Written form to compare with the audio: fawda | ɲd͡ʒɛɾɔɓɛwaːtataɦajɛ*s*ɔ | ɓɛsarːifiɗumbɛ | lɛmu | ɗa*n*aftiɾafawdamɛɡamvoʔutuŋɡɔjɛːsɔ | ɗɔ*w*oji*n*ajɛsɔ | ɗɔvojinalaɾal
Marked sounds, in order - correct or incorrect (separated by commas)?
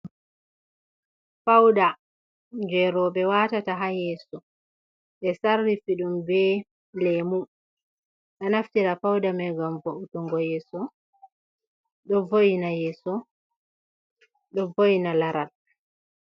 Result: correct, correct, incorrect, correct